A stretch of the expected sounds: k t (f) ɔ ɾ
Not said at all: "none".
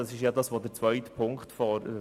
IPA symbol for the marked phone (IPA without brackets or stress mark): f